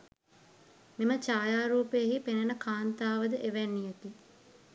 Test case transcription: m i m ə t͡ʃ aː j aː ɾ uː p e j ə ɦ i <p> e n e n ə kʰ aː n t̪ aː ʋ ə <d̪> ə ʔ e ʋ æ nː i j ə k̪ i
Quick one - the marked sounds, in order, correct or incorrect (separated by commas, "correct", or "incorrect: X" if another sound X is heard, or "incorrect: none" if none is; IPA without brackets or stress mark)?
correct, correct